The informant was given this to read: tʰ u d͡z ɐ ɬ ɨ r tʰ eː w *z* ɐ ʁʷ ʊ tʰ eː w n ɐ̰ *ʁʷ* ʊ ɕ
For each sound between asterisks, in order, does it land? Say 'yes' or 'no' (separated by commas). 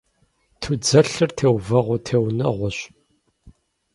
no, yes